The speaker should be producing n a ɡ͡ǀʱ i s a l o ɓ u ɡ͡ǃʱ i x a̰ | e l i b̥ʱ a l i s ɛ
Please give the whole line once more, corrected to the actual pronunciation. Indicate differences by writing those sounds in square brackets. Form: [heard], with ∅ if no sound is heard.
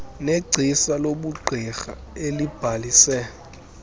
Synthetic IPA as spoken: n [e] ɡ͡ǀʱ i s a l o ɓ u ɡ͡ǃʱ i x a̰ | e l i b̥ʱ a l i s ɛ